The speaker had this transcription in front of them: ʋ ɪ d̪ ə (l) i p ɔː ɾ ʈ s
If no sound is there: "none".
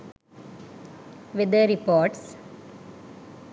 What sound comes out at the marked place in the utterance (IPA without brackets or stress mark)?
ɾ